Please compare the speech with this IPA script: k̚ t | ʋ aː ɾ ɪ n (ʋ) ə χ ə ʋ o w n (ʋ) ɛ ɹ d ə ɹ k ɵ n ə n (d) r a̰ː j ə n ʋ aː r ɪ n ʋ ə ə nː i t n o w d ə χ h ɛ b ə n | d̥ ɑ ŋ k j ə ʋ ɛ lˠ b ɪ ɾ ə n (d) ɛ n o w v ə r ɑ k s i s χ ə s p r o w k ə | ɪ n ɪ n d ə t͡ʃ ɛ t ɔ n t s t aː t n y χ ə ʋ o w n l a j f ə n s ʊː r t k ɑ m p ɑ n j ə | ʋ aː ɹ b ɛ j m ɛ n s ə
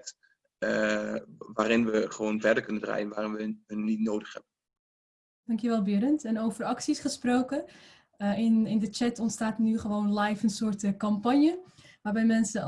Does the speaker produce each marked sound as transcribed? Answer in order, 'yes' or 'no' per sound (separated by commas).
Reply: yes, no, yes, no